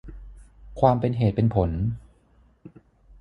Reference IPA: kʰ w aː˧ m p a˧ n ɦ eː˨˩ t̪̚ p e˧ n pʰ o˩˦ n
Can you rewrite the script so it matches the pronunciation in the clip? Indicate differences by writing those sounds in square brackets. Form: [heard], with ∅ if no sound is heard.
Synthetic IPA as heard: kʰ w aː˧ m p [e˧] n ɦ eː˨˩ t̪̚ p e˧ n pʰ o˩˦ n